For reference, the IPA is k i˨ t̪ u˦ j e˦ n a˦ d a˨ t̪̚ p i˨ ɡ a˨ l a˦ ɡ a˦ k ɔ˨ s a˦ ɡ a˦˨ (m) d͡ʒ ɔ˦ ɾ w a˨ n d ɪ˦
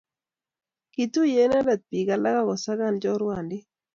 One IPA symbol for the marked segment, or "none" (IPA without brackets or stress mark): n